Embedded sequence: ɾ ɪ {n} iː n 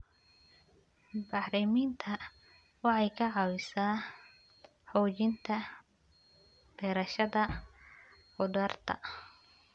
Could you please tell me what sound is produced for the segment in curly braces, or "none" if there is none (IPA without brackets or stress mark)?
m